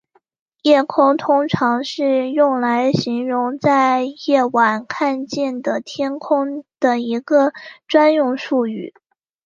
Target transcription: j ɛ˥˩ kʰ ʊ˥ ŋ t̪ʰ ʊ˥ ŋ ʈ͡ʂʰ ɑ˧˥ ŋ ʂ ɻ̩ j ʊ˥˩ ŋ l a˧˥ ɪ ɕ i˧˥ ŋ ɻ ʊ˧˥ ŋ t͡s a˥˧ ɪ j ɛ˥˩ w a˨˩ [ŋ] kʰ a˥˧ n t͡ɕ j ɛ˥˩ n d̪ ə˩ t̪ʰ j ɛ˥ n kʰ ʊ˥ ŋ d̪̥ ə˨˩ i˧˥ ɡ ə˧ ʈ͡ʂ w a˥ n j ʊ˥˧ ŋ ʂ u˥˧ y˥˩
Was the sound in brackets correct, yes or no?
no